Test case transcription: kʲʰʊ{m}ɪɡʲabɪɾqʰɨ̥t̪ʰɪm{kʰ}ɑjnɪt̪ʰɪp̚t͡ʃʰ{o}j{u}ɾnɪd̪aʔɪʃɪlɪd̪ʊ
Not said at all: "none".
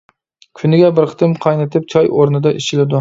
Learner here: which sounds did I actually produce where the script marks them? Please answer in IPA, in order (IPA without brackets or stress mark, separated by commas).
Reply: n, qʰ, ɒ, o